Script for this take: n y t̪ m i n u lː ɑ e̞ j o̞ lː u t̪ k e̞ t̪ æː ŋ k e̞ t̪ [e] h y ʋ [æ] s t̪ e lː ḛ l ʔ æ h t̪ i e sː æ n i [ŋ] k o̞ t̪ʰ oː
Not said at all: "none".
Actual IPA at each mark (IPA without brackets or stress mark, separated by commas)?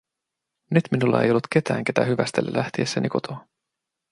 æ, æ, none